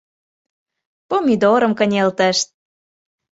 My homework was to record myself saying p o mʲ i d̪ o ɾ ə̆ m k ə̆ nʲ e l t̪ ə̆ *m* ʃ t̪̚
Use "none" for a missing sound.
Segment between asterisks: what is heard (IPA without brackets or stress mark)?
none